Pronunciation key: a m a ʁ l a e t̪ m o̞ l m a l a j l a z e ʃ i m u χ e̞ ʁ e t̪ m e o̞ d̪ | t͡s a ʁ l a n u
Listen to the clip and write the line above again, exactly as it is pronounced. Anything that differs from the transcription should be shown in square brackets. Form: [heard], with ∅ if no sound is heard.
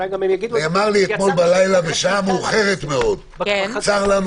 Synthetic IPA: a m a ʁ l [i] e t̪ m o̞ l [b] a l a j l a [v] e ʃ [a] m u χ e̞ ʁ e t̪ m e o̞ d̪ | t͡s a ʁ l a n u